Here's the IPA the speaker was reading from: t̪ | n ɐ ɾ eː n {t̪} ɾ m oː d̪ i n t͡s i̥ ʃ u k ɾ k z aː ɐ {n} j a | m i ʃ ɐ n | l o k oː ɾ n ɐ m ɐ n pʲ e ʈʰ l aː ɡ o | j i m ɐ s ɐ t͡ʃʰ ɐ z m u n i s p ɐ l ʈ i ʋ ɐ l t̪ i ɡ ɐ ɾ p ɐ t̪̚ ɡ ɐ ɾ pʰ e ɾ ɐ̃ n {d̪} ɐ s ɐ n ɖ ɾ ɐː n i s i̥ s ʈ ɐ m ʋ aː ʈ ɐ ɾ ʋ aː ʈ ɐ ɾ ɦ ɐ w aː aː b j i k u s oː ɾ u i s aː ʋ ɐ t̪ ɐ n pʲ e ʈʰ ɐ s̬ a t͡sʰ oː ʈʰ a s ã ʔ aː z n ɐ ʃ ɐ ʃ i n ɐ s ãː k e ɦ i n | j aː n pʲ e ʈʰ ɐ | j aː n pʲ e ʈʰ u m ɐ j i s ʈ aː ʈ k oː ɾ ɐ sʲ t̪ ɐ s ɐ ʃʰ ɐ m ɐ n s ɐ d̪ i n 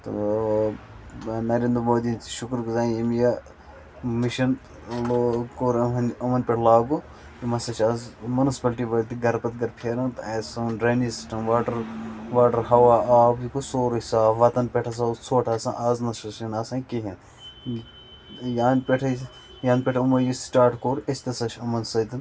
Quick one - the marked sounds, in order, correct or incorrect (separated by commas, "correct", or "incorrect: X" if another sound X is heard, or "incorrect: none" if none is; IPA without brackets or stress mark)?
incorrect: d̪, incorrect: m, incorrect: t̪